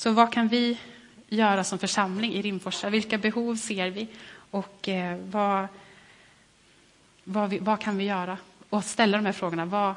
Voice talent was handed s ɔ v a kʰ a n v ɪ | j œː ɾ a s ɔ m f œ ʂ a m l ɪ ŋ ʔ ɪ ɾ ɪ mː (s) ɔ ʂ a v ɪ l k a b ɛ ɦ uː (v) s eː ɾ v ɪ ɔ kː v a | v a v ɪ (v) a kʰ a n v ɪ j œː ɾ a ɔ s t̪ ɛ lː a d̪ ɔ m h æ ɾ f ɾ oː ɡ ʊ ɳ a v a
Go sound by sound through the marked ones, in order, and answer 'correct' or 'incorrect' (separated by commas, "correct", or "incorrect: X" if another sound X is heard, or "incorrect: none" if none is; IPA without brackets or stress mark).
incorrect: f, correct, correct